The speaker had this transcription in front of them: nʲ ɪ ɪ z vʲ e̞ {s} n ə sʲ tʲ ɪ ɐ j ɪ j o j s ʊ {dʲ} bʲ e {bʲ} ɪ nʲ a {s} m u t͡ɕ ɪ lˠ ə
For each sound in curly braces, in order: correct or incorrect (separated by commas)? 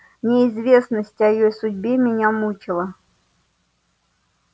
correct, correct, incorrect, incorrect